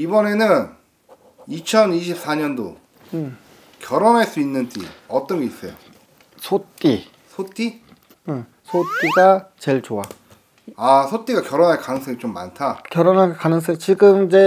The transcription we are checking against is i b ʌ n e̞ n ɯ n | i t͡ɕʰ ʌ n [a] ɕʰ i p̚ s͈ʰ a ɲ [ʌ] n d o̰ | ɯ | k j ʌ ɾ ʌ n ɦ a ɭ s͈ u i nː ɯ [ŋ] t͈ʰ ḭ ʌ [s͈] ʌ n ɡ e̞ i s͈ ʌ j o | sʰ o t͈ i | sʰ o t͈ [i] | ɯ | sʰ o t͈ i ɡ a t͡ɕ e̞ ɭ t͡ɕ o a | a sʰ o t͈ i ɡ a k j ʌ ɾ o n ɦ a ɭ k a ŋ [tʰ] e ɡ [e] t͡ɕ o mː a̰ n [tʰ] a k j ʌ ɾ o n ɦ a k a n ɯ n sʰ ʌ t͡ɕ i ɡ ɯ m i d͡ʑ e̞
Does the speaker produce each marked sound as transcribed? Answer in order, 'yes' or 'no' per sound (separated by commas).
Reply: no, yes, no, no, yes, no, no, yes